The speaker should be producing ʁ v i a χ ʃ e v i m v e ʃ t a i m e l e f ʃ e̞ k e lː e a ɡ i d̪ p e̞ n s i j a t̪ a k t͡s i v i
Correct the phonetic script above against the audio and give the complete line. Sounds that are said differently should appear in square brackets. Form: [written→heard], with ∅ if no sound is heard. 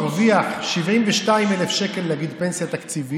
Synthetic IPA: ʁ v i a χ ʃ [e→i] v i m v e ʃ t a i m e l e f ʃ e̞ k e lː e a ɡ i d̪ p e̞ n s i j a t̪ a k t͡s i v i